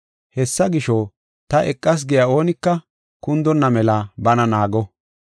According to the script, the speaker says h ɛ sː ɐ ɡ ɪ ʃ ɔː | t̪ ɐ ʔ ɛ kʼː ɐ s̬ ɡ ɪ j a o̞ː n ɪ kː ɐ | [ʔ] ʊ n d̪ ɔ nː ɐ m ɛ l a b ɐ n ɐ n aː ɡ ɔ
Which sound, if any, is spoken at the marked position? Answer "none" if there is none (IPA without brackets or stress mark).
k